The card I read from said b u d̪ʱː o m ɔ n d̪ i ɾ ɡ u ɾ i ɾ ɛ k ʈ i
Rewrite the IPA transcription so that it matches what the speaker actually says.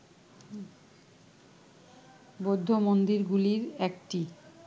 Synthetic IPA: b o d̪ʱː o m o n d̪ i ɾ ɡ u l i ɾ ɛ k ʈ i